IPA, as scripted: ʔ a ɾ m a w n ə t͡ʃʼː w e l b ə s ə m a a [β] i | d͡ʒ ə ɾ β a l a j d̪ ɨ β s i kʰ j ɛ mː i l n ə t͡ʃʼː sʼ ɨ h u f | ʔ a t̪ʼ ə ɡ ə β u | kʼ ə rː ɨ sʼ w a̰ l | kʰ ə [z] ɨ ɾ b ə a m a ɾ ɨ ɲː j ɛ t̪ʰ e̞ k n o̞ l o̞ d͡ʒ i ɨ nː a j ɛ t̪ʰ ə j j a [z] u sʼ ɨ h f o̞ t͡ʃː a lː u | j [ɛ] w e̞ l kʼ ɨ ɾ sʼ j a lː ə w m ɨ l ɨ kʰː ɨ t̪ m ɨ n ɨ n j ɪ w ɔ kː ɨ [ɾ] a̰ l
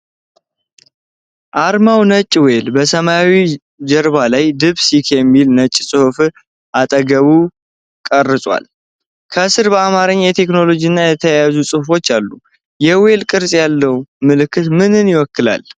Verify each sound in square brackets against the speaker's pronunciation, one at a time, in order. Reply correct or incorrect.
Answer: incorrect, incorrect, correct, correct, incorrect

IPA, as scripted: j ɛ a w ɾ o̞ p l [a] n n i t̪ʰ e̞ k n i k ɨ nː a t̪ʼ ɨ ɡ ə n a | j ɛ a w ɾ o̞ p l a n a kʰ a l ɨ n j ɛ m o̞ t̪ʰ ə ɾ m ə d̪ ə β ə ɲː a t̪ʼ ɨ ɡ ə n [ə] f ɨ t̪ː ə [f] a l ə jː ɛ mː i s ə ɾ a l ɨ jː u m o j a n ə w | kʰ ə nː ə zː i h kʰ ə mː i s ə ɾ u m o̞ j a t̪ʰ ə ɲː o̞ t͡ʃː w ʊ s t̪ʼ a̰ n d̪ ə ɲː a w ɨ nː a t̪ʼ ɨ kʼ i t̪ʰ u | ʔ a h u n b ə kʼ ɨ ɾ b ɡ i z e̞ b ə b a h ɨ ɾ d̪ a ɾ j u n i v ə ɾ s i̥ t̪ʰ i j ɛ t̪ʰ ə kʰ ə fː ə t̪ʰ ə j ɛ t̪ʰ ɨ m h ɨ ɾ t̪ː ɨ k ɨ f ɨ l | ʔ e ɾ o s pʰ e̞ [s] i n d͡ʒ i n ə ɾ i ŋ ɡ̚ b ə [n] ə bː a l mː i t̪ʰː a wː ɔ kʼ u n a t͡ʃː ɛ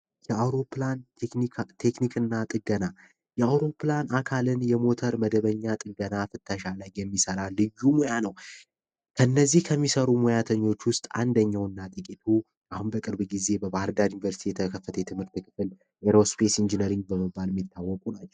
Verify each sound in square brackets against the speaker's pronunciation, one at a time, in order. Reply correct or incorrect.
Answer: correct, incorrect, incorrect, correct, incorrect

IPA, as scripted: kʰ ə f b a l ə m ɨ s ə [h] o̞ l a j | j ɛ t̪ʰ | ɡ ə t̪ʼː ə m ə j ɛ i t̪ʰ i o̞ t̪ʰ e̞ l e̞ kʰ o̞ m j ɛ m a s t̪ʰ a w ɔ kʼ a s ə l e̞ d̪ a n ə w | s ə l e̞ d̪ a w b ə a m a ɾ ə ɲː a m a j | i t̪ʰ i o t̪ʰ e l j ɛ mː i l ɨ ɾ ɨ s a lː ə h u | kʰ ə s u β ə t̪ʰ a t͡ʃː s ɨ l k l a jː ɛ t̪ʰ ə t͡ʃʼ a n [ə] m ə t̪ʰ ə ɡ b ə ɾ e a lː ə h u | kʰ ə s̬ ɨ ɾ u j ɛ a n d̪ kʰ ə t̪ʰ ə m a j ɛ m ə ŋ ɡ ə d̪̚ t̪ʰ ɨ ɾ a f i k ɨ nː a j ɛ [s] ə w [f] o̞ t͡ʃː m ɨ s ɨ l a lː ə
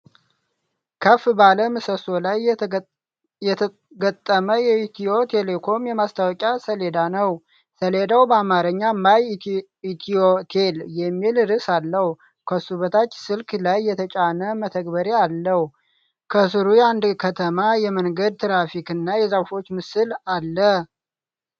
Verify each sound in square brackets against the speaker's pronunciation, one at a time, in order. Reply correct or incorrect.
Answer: incorrect, correct, incorrect, correct

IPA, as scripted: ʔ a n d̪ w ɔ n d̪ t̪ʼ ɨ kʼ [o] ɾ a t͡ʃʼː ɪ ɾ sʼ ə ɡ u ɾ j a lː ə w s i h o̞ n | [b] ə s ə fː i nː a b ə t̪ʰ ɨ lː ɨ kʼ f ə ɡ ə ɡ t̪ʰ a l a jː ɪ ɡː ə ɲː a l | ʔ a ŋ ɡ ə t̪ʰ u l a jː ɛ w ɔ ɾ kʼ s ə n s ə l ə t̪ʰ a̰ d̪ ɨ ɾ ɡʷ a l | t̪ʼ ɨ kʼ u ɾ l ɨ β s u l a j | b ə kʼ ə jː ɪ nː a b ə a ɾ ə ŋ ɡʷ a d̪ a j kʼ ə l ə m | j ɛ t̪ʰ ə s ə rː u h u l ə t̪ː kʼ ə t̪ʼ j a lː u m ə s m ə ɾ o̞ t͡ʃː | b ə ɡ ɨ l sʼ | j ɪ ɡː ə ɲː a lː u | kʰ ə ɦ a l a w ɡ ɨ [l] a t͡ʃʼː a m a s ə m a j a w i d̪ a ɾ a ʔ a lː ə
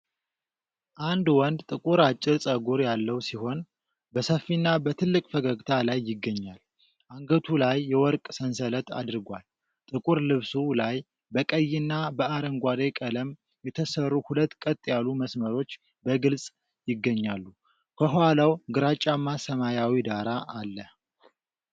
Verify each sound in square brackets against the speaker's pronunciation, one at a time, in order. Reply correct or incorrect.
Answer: incorrect, correct, incorrect

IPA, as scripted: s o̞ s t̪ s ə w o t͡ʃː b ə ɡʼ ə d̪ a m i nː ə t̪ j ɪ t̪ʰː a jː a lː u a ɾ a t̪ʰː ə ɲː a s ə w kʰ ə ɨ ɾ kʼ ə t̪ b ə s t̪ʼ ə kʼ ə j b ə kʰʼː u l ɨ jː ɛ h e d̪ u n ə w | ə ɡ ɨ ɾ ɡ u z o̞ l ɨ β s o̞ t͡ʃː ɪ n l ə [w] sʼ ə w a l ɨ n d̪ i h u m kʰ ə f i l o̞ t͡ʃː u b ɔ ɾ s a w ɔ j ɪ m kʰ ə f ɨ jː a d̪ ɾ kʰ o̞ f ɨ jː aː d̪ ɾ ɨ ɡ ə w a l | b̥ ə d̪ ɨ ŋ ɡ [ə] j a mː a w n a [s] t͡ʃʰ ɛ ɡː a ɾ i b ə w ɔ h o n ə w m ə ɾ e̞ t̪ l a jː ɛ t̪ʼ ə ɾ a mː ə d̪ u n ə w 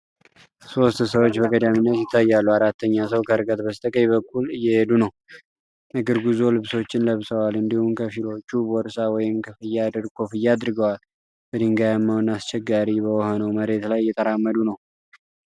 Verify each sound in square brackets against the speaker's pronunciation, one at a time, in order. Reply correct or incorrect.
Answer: incorrect, incorrect, correct

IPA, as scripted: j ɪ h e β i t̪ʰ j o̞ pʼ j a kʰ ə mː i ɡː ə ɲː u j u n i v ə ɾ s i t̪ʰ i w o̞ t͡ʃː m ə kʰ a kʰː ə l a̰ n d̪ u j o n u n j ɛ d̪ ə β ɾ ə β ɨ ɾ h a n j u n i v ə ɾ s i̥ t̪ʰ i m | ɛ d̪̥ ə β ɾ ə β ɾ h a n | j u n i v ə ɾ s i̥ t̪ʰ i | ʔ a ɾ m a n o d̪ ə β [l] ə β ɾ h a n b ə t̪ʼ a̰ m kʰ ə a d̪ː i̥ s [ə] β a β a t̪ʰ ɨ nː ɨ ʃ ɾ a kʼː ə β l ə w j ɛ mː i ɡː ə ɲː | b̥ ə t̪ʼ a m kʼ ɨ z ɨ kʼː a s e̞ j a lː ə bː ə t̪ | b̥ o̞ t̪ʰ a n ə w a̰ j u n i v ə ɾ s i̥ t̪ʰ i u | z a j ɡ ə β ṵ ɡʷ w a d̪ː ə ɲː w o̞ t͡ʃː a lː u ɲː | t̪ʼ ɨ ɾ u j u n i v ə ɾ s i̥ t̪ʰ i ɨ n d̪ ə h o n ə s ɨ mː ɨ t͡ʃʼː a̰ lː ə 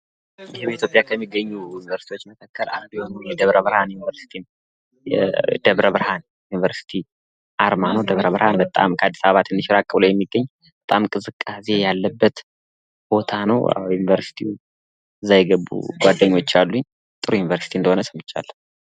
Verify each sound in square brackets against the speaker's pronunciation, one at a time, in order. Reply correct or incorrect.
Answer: incorrect, incorrect

